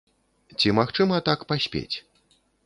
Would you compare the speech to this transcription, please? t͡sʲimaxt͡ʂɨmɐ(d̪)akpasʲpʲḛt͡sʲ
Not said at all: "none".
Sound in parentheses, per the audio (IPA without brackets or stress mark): t̪